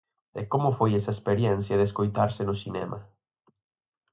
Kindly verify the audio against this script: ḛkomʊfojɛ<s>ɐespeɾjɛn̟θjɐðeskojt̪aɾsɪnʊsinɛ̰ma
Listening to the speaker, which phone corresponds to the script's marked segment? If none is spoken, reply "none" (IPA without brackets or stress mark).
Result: s